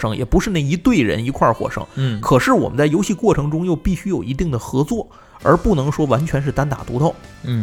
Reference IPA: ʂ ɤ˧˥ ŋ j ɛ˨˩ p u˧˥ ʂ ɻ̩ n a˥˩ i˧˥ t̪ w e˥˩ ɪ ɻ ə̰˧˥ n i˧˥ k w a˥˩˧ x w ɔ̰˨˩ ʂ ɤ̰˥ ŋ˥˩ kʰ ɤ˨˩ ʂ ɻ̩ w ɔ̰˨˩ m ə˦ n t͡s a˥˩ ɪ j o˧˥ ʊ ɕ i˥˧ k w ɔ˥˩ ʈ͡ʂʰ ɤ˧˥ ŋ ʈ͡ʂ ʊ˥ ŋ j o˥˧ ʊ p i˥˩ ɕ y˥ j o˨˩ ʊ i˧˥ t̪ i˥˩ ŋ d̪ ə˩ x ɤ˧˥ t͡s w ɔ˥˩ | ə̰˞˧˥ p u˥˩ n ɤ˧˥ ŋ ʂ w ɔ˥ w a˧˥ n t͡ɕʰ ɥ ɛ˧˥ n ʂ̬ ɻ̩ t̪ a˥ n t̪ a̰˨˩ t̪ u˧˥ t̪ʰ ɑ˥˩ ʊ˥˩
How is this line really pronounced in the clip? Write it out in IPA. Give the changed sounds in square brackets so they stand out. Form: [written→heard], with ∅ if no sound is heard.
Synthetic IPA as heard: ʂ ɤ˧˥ ŋ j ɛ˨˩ p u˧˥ ʂ ɻ̩ n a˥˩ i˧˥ t̪ w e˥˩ ɪ ɻ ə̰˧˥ n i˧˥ [k→kʰ] w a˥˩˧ x w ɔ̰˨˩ ʂ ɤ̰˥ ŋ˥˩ kʰ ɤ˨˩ ʂ ɻ̩ w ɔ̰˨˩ m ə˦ n t͡s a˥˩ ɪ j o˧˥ ʊ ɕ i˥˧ k w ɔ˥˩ ʈ͡ʂʰ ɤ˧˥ ŋ ʈ͡ʂ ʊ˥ ŋ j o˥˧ ʊ p i˥˩ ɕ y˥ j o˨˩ ʊ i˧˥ t̪ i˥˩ ŋ d̪ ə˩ x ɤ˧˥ t͡s w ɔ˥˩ | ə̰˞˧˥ p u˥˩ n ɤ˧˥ ŋ ʂ w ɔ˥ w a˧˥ n t͡ɕʰ ɥ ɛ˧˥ n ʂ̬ ɻ̩ t̪ a˥ n t̪ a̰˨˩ t̪ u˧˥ [t̪ʰ→t̪] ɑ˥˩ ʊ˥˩